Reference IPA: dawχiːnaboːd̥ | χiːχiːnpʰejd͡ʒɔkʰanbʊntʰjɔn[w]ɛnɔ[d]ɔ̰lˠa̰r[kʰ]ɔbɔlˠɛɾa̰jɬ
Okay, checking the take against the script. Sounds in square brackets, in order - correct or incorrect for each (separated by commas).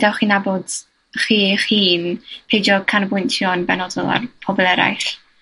incorrect, correct, incorrect